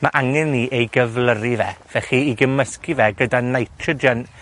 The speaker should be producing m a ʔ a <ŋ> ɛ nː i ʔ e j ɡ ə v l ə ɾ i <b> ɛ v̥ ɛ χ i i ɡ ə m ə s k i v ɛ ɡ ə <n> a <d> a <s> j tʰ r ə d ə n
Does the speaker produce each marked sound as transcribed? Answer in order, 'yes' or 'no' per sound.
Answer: yes, no, no, no, no

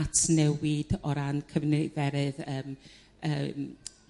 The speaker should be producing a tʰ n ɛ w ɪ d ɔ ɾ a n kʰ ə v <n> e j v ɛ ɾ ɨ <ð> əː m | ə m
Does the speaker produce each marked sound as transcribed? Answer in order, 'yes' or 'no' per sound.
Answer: yes, yes

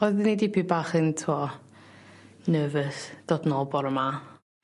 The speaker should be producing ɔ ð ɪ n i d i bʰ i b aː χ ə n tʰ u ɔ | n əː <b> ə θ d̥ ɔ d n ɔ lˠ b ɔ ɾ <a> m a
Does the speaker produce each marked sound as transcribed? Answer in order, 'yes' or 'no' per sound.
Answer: no, no

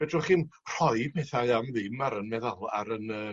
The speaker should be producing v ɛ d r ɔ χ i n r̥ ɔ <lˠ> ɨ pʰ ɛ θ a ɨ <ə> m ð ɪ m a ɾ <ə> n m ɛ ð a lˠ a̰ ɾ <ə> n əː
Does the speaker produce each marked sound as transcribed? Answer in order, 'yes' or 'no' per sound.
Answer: no, no, yes, yes

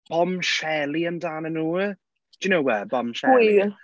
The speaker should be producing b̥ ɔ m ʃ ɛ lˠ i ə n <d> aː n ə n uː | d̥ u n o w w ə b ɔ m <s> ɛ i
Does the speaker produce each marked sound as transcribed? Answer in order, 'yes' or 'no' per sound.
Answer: yes, no

